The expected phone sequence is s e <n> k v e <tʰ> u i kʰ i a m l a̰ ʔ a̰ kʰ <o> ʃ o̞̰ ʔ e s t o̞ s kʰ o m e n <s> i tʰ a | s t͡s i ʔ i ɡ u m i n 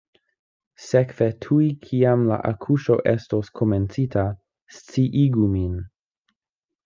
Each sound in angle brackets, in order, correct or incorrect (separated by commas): incorrect, correct, incorrect, incorrect